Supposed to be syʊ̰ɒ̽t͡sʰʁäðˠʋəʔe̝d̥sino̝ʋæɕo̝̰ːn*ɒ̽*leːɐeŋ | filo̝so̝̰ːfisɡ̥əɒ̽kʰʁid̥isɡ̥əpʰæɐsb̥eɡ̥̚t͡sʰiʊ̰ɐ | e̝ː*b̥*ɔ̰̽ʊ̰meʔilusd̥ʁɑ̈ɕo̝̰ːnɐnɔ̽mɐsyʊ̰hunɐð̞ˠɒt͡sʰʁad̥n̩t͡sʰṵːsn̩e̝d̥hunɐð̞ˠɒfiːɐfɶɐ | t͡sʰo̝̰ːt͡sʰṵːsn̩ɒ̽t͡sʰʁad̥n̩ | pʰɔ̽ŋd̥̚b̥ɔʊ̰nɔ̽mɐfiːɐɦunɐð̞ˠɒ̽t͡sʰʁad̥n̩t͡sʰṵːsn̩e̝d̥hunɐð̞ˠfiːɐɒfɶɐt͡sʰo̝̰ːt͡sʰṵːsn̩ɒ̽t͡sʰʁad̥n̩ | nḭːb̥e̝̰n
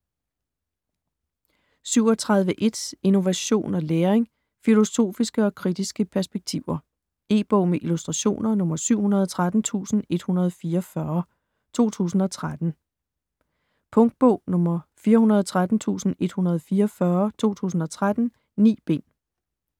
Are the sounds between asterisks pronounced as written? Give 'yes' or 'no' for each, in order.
yes, yes

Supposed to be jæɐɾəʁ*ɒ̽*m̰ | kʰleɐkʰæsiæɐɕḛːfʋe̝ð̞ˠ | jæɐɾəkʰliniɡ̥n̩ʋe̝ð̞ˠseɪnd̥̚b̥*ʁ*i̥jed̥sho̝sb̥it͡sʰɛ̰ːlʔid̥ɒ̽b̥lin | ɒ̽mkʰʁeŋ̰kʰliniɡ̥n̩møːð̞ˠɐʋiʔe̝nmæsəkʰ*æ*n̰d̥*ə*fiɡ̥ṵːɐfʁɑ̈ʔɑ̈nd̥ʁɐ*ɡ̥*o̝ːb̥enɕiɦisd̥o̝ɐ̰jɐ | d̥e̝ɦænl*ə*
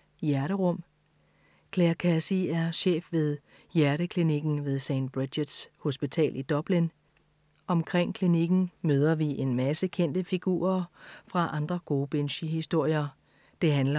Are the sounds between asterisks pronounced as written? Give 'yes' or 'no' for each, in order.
no, yes, no, yes, yes, no

